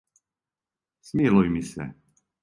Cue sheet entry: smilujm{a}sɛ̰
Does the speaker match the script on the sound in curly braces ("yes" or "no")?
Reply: no